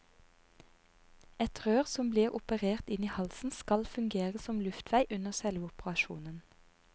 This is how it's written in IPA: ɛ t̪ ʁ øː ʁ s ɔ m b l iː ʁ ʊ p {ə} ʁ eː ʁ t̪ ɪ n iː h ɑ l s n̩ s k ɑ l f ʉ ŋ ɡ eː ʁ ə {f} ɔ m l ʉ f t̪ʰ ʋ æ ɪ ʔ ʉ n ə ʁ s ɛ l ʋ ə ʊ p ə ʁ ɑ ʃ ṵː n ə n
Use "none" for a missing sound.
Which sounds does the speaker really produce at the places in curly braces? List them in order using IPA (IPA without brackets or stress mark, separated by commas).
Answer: ə, s